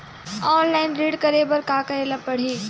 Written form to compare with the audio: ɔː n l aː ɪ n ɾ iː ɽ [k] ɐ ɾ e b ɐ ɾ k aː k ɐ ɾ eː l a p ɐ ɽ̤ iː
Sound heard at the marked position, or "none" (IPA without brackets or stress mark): k